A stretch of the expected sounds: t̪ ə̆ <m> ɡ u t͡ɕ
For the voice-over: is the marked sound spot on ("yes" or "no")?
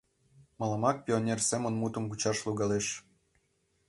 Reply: yes